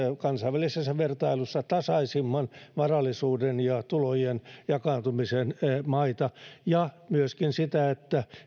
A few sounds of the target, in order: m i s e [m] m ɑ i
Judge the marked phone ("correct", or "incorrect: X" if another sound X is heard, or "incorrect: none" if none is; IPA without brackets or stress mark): incorrect: n